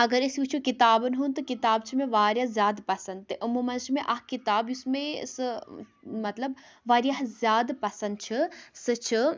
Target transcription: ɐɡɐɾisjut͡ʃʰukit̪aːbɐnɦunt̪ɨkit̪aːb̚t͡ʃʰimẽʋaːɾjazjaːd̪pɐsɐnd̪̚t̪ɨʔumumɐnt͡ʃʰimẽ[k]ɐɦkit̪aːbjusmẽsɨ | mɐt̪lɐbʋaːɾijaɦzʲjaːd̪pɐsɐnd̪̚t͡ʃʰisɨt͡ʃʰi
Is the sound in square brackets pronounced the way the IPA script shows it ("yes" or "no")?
no